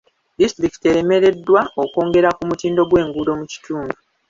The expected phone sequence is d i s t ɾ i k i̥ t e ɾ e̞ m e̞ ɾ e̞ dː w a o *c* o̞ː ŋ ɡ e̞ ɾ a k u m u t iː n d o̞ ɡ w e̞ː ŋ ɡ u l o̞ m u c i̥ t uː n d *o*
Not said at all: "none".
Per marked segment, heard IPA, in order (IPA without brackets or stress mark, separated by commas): k, u